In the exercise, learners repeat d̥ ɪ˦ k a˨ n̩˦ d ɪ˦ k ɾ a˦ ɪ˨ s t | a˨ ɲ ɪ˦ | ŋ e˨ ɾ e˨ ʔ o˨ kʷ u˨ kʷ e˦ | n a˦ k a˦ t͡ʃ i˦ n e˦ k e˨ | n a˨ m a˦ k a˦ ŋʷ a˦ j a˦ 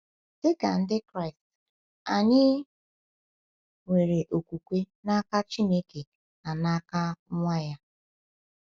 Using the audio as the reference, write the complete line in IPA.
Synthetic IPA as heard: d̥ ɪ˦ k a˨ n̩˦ d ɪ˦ k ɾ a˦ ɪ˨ s t | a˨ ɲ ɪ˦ | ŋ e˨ ɾ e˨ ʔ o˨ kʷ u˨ kʷ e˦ | n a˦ k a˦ t͡ʃ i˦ n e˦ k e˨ | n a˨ n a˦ k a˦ ŋʷ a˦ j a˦